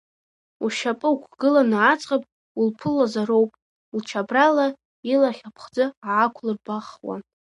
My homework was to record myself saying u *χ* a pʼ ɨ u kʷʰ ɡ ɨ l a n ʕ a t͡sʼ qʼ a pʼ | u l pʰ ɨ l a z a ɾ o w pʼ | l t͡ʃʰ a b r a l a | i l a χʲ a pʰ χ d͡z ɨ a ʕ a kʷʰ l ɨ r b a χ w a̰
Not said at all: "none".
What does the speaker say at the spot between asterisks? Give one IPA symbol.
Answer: ʃ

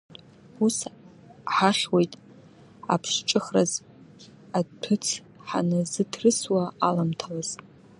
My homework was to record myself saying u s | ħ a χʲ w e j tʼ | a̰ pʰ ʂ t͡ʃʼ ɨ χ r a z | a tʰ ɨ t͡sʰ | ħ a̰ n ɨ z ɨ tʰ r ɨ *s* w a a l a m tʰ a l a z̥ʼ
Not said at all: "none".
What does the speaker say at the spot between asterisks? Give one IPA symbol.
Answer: s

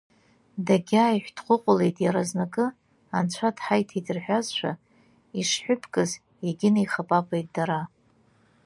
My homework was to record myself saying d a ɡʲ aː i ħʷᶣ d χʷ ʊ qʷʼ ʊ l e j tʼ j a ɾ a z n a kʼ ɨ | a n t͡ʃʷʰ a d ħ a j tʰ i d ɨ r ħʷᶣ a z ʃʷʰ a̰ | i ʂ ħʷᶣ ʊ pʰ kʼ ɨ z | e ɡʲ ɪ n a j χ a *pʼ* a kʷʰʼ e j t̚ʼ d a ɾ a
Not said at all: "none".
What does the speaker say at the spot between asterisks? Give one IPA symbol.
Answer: pʼ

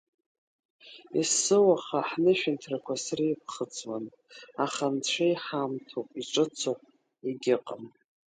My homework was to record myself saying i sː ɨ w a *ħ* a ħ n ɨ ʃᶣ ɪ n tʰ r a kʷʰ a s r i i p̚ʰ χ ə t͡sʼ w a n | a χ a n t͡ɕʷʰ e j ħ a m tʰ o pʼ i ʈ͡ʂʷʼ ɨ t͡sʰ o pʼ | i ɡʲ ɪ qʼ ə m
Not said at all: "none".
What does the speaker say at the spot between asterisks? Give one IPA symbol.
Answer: χ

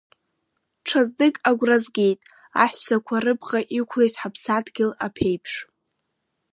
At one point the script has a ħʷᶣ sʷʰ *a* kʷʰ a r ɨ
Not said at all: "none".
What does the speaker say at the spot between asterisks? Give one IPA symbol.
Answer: a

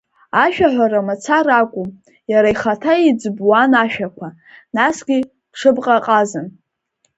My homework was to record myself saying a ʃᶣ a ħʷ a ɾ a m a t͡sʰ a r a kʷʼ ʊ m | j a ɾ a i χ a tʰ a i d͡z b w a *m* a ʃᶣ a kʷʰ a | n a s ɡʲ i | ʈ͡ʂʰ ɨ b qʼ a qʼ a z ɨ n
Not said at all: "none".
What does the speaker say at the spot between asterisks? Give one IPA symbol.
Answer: n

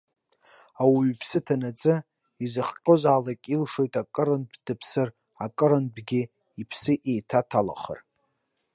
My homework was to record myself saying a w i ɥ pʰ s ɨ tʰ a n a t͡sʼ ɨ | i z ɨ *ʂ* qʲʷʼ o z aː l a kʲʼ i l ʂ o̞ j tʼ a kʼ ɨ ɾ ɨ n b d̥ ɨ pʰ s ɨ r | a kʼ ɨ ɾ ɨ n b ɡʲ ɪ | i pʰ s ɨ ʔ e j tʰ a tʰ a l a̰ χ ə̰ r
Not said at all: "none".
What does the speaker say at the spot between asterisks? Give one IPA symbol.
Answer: χ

